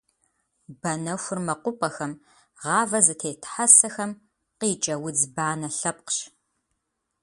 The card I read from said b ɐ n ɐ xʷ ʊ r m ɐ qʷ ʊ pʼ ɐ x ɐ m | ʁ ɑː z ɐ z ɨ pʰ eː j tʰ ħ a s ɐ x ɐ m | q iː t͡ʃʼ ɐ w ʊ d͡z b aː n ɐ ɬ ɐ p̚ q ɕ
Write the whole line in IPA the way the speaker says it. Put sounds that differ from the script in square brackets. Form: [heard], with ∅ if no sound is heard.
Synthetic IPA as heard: b ɐ n ɐ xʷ ʊ r m ɐ qʷ ʊ pʼ ɐ x ɐ m | ʁ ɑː [v] ɐ z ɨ [tʰ] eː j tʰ ħ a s ɐ x ɐ m | q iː t͡ʃʼ ɐ w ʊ d͡z b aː n ɐ ɬ ɐ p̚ q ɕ